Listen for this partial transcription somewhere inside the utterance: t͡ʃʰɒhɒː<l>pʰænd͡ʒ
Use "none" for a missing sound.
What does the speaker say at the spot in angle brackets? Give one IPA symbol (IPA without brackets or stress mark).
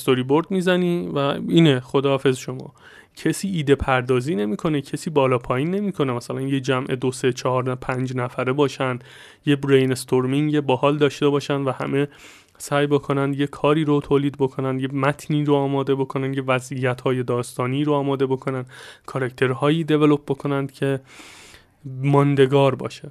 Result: ɾ